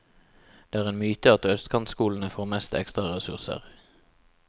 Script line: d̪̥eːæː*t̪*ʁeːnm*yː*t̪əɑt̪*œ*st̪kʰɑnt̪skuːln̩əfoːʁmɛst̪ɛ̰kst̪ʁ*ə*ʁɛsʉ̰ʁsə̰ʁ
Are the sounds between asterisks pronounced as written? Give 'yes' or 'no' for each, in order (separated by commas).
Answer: no, yes, yes, no